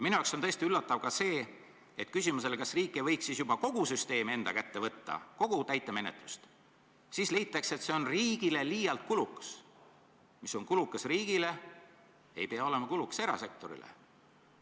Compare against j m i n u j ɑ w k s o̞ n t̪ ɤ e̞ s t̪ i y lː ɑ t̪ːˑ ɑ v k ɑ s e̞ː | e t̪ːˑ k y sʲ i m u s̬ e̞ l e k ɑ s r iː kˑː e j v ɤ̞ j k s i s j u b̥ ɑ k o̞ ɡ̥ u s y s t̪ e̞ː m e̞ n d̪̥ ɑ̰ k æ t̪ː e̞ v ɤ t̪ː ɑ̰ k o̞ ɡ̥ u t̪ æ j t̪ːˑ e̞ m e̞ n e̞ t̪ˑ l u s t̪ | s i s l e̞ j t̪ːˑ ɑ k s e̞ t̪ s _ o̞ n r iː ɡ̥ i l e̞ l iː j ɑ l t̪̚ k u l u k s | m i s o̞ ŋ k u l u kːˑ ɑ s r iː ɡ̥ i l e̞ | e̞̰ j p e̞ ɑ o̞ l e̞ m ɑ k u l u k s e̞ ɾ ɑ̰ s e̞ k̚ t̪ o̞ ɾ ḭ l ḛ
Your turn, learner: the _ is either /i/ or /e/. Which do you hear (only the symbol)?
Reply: e